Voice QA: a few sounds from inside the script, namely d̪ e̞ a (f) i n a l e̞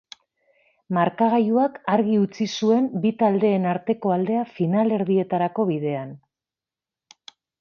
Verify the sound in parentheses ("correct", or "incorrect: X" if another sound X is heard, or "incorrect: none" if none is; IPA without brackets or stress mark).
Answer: correct